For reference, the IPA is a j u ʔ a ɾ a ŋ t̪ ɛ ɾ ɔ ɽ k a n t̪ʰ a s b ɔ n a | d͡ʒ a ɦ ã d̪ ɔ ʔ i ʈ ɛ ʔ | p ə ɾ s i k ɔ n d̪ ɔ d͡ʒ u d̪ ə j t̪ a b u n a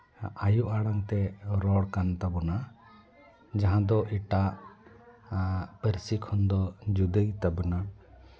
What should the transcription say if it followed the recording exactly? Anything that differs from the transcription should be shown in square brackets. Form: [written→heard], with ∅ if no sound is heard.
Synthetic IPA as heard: a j u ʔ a [ɾ→ɽ] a ŋ t̪ ɛ ɾ ɔ ɽ k a n [t̪ʰ→t̪] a [s→∅] b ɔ n a | d͡ʒ a ɦ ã d̪ ɔ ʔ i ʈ [ɛ→a] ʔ | p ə ɾ s i [k→kʰ] ɔ n d̪ ɔ d͡ʒ u d̪ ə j t̪ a b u n a

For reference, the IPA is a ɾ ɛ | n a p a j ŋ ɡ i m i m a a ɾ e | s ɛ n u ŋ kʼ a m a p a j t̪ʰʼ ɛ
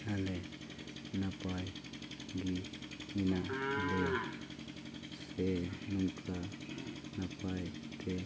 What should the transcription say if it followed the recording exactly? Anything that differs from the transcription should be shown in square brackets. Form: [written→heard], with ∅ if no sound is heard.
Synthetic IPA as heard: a [ɾ→l] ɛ | n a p a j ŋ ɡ i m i [m→n] a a [ɾ→l] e | s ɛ n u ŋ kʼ a [m→n] a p a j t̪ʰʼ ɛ

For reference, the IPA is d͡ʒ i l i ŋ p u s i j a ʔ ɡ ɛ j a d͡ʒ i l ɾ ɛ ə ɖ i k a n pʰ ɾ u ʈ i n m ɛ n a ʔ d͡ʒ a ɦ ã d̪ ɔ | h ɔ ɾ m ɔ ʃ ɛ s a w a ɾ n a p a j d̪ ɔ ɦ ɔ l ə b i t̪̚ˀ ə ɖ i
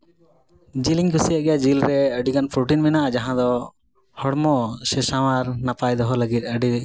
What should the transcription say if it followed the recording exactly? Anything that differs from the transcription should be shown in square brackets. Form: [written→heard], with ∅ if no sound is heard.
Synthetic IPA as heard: d͡ʒ i l i ŋ [p→k] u s i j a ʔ ɡ ɛ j a d͡ʒ i l ɾ ɛ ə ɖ i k a n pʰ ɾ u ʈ i n m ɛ n a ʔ d͡ʒ a ɦ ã d̪ ɔ | h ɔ [ɾ→ɽ] m ɔ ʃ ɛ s a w a ɾ n a p a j d̪ ɔ ɦ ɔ l ə [b→ɡ] i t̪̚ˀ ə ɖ i

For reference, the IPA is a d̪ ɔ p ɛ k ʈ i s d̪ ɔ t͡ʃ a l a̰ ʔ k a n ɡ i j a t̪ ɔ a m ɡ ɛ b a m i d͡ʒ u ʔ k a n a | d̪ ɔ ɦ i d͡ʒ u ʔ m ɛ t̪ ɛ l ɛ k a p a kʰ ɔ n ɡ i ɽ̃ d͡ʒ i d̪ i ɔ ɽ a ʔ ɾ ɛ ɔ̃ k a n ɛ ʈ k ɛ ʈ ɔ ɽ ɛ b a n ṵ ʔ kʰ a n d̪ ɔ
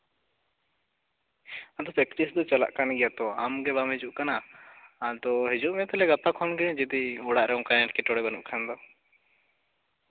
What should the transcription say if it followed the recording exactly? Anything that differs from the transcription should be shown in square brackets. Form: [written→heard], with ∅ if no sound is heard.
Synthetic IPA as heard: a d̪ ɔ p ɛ k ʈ i s d̪ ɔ t͡ʃ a l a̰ ʔ k a n ɡ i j a t̪ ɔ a m ɡ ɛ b a m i d͡ʒ u ʔ k a n a | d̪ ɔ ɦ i d͡ʒ u ʔ m ɛ t̪ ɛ l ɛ [k→ɡ] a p a kʰ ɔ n ɡ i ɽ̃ d͡ʒ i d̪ i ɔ ɽ a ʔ ɾ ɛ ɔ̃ k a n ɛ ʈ k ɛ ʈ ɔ ɽ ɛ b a n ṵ ʔ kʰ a n d̪ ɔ

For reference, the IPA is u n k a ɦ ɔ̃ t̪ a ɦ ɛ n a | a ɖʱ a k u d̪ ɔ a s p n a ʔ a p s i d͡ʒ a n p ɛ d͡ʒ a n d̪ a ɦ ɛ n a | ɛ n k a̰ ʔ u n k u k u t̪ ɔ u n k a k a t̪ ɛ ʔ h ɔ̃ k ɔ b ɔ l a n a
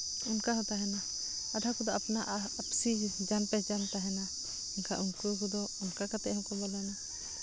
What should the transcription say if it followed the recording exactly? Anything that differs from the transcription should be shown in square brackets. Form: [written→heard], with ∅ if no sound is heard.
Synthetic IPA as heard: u n k a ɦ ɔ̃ t̪ a ɦ ɛ n a | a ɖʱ a k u d̪ ɔ a [s→∅] p n a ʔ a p s i d͡ʒ a n p ɛ d͡ʒ a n [d̪→t̪] a ɦ ɛ n a | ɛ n k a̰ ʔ u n k u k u [t̪→d̪] ɔ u n k a k a t̪ ɛ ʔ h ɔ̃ k ɔ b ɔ l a n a

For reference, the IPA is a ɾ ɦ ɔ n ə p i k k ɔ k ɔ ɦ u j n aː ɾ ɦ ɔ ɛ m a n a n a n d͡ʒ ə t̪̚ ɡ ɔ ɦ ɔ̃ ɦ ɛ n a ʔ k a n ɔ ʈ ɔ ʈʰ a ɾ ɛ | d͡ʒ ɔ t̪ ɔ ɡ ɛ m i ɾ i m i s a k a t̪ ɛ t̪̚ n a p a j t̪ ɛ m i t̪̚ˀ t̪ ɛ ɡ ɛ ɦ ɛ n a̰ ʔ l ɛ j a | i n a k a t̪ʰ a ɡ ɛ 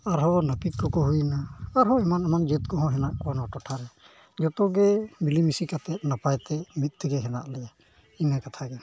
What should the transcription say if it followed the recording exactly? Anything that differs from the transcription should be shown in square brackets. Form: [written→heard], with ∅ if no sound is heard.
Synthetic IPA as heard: a ɾ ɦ ɔ n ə p i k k ɔ k ɔ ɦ u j n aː ɾ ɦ ɔ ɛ m a n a [n→m] a n d͡ʒ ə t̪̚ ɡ ɔ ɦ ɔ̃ ɦ ɛ n a ʔ k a n ɔ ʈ ɔ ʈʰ a ɾ ɛ | d͡ʒ ɔ t̪ ɔ ɡ ɛ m i [ɾ→l] i m i s [a→i] k a t̪ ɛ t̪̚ n a p a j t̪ ɛ m i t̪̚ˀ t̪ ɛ ɡ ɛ ɦ ɛ n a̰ ʔ l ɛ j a | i n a k a t̪ʰ a ɡ ɛ

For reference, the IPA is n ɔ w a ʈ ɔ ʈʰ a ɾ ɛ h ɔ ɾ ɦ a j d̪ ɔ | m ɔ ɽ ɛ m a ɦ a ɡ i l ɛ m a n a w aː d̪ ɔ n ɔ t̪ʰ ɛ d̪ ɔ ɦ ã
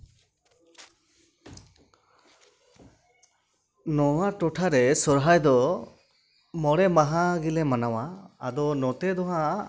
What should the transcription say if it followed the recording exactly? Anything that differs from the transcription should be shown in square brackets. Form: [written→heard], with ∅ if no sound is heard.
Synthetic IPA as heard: n ɔ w a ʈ ɔ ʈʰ a ɾ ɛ [h→s] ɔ ɾ ɦ a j d̪ ɔ | m ɔ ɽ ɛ m a ɦ a ɡ i l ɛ m a n a w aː d̪ ɔ n ɔ [t̪ʰ→t̪] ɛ d̪ ɔ ɦ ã

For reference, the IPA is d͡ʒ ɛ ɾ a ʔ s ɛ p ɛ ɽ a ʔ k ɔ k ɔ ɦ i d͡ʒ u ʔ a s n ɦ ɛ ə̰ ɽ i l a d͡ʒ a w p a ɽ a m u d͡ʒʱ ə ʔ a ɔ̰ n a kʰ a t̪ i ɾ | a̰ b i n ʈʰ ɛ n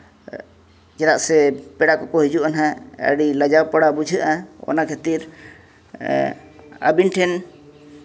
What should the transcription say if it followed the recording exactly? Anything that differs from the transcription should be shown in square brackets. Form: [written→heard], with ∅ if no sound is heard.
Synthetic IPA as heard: d͡ʒ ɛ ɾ a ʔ s ɛ p ɛ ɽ a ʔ k ɔ k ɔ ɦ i d͡ʒ u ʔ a [s→∅] n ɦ [ɛ→a] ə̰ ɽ i l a d͡ʒ a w p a ɽ a [m→b] u d͡ʒʱ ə ʔ a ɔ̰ n a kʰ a t̪ i ɾ | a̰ b i n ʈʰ ɛ n

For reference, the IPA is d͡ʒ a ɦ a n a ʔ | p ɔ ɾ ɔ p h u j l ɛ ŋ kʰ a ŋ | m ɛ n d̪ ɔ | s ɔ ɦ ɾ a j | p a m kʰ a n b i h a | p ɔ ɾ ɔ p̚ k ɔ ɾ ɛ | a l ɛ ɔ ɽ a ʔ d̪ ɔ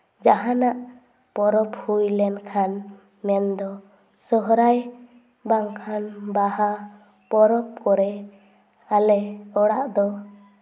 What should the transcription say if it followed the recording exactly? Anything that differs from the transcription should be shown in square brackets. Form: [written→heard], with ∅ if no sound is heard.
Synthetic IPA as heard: d͡ʒ a ɦ a n a ʔ | p ɔ ɾ ɔ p h u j l ɛ [ŋ→n] kʰ a [ŋ→n] | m ɛ n d̪ ɔ | s ɔ ɦ ɾ a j | [p→b] a [m→ŋ] kʰ a n b [i→a] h a | p ɔ ɾ ɔ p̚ k ɔ ɾ ɛ | a l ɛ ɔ ɽ a ʔ d̪ ɔ

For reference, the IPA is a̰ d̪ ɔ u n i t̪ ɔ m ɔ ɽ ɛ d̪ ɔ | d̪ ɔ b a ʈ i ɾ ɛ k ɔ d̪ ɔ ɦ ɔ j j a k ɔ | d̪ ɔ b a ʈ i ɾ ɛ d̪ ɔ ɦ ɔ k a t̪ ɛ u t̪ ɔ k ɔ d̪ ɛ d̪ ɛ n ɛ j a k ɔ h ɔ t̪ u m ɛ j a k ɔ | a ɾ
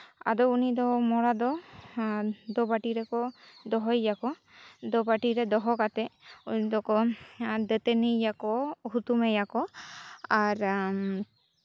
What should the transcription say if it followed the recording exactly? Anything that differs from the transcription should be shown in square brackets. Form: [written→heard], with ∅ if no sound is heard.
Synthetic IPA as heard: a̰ d̪ ɔ u n i [t̪→d̪] ɔ m ɔ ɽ [ɛ→a] d̪ ɔ | d̪ ɔ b a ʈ i ɾ ɛ k ɔ d̪ ɔ ɦ ɔ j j a k ɔ | d̪ ɔ b a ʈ i ɾ ɛ d̪ ɔ ɦ ɔ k a t̪ ɛ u [t̪→d̪] ɔ k ɔ d̪ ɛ [d̪→t̪] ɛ n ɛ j a k ɔ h [ɔ→u] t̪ u m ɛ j a k ɔ | a ɾ

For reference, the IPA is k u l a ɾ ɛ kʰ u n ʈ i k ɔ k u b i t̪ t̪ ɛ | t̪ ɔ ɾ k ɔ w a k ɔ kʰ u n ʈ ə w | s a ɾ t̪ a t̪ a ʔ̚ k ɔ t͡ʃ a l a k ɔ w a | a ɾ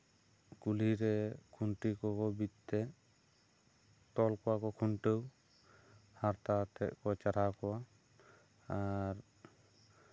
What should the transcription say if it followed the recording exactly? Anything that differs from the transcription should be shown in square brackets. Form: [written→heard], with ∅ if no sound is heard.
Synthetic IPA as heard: k u l [a→i] ɾ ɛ kʰ u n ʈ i k ɔ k [u→ɔ] b i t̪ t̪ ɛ | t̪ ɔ [ɾ→l] k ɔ w a k ɔ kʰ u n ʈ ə w | [s→h] a ɾ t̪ a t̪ [a→ɛ] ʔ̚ k ɔ t͡ʃ a [l→ɾ] a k ɔ w a | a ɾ

